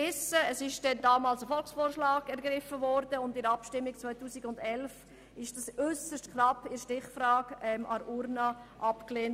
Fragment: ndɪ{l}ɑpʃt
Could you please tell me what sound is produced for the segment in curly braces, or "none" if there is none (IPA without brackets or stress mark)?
ɾ